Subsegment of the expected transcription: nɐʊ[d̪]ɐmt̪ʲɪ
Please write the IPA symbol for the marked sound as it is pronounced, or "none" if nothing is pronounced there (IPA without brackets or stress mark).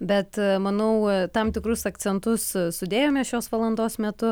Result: t̪